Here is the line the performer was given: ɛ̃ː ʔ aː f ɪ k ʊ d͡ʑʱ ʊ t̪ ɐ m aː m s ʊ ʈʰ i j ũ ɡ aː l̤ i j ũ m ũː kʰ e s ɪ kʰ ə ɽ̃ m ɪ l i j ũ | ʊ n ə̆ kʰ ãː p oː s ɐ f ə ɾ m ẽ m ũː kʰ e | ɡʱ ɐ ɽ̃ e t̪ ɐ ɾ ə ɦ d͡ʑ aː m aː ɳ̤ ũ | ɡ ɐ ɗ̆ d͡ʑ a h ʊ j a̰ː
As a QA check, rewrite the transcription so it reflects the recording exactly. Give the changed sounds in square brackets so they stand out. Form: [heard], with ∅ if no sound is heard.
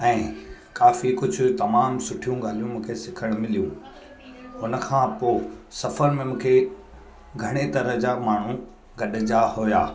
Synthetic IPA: ɛ̃ː [k] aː f [i] k ʊ d͡ʑʱ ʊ t̪ ɐ m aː m s ʊ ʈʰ i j ũ ɡ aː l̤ i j ũ m ũː kʰ e s ɪ kʰ ə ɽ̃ m ɪ l i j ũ | ʊ n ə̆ kʰ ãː p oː s ɐ f ə ɾ m ẽ m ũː kʰ e | ɡʱ ɐ ɽ̃ e t̪ ɐ ɾ ə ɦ d͡ʑ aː m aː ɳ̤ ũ | ɡ ɐ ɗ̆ d͡ʑ a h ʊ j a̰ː